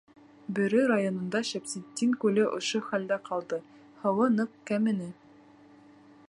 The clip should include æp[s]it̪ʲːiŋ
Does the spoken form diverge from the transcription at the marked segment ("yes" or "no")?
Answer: no